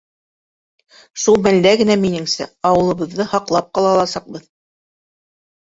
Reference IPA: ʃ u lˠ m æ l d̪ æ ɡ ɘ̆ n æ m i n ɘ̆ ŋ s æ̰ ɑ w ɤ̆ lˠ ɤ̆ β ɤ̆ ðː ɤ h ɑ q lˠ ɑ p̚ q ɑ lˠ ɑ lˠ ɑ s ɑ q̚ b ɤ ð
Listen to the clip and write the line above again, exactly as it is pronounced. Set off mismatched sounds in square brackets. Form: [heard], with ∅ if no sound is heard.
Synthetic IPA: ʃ u lˠ m æ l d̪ æ ɡ ɘ̆ n æ m i n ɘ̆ ŋ s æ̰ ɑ w ɤ̆ lˠ ɤ̆ β ɤ̆ ðː ɤ h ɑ q lˠ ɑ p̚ q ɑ lˠ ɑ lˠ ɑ s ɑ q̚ b ɤ ð